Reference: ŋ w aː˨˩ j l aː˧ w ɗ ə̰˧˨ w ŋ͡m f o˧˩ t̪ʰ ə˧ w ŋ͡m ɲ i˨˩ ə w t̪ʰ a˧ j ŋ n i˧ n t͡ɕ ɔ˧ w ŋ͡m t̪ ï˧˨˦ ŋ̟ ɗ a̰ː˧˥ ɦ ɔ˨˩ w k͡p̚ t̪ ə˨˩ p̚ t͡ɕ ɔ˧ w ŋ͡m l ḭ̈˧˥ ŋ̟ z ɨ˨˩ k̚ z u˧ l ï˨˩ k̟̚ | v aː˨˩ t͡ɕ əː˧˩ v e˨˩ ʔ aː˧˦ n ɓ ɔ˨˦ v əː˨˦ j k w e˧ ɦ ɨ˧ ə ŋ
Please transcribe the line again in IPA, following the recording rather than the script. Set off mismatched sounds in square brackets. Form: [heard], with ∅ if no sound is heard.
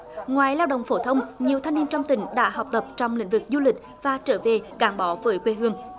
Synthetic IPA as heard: ŋ w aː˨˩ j l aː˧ w ɗ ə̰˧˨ w ŋ͡m f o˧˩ t̪ʰ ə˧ w ŋ͡m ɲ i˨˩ ə w t̪ʰ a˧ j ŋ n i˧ n t͡ɕ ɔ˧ w ŋ͡m t̪ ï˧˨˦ ŋ̟ ɗ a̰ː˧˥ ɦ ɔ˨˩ w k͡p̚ t̪ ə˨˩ p̚ t͡ɕ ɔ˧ w ŋ͡m l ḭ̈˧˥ ŋ̟ [v] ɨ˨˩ k̚ z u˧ l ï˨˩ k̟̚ | v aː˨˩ t͡ɕ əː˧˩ v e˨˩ [k] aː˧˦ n ɓ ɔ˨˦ v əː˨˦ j k w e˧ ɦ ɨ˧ ə ŋ